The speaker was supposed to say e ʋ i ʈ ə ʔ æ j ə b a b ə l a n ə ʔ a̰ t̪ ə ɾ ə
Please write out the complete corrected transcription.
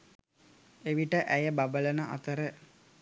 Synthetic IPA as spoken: e ʋ i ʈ ə ʔ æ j ə b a b ə l ə n ə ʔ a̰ t̪ ə ɾ ə